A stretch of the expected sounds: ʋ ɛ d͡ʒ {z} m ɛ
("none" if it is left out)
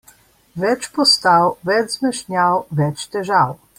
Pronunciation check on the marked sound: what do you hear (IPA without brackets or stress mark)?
z